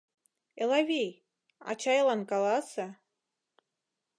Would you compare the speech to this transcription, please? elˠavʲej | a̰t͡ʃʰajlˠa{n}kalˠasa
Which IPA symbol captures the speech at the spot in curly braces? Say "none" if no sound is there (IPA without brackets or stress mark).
n